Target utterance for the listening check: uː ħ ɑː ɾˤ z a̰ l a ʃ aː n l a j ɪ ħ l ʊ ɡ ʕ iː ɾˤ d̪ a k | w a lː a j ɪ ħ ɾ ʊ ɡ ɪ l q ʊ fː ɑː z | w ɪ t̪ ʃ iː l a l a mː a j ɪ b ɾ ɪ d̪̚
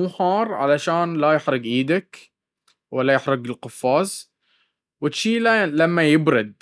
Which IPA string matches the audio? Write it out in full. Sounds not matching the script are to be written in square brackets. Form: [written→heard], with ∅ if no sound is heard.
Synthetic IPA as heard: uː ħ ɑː ɾˤ [z→ʕ] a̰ l a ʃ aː n l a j ɪ ħ [l→ɾ] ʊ ɡ ʕ iː [ɾˤ→∅] d̪ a k | w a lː a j ɪ ħ ɾ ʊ ɡ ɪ l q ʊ fː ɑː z | w ɪ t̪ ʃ iː l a l a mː a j ɪ b ɾ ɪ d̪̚